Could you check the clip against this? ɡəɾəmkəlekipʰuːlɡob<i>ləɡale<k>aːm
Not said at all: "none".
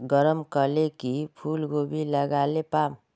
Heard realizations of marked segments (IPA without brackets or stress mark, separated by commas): i, p